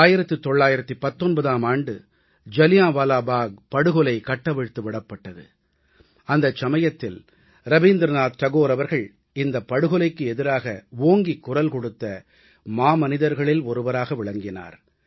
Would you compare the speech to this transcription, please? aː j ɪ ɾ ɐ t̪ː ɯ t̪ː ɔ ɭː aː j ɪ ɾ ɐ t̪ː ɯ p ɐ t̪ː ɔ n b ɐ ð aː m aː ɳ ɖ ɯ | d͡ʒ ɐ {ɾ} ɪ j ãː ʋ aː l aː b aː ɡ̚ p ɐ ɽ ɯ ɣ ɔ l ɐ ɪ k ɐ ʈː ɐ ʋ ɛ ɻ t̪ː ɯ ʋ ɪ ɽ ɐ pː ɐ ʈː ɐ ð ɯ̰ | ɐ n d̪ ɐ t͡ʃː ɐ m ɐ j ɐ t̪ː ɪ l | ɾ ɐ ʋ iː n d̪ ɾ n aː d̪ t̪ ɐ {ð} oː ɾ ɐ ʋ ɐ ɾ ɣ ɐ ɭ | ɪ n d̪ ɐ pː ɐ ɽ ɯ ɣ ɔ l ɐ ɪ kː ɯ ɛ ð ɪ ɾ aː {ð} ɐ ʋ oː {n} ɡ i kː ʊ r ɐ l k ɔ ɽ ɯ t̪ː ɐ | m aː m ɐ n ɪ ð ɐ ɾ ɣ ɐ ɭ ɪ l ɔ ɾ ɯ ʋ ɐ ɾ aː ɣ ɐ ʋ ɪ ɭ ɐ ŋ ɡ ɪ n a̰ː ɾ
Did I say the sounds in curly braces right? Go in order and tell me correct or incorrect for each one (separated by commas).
incorrect, incorrect, incorrect, incorrect